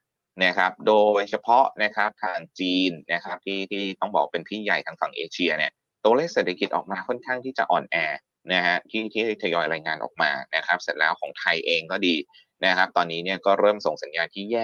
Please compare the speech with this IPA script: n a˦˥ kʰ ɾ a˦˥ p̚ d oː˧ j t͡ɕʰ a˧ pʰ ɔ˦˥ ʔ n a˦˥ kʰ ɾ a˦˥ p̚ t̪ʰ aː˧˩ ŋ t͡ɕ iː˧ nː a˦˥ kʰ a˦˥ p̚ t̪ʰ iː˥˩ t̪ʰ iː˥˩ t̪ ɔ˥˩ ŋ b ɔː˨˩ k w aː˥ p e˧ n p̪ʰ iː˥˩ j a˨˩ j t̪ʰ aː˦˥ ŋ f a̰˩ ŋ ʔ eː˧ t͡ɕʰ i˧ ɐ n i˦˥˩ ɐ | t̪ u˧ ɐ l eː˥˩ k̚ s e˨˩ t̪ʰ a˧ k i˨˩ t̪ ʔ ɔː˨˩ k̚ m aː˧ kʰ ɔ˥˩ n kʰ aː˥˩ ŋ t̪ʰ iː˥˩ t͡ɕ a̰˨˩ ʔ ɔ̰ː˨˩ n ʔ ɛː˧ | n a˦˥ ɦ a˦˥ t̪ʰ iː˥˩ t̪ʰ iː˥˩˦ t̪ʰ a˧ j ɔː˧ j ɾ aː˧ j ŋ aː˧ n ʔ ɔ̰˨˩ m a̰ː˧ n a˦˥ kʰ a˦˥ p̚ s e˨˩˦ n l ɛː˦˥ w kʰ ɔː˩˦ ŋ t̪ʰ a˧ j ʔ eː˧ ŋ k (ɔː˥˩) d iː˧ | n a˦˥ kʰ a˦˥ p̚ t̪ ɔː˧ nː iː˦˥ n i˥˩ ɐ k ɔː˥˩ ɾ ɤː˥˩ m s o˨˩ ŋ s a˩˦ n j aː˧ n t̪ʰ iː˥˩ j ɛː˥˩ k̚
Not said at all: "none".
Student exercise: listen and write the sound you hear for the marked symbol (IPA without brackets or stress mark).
ɔː˥˩